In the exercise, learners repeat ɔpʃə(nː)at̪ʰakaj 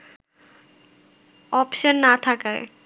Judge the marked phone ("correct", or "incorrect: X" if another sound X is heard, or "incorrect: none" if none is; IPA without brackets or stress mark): correct